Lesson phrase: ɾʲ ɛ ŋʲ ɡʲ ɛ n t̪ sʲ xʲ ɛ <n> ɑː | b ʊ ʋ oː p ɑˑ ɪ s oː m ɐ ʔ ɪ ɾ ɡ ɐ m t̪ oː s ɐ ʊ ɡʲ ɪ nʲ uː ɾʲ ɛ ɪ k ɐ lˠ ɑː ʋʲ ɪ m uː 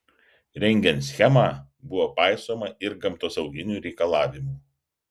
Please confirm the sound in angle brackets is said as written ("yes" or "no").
no